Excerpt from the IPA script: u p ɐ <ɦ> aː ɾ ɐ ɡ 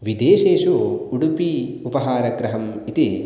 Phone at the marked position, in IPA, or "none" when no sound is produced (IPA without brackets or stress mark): ɦ